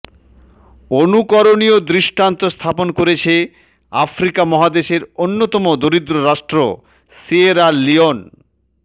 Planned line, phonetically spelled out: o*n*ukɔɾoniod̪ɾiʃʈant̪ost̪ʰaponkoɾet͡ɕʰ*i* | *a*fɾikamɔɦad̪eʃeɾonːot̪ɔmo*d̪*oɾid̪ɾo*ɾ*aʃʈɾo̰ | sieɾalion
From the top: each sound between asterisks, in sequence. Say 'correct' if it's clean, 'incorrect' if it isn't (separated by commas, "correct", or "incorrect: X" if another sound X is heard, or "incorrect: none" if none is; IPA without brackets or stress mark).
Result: correct, incorrect: e, correct, correct, correct